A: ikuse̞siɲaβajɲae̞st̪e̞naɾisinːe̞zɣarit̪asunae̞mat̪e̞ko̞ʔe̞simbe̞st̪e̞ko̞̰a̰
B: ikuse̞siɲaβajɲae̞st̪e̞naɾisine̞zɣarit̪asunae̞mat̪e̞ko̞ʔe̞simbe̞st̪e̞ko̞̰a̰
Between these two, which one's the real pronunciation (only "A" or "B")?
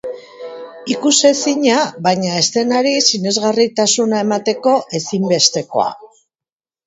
B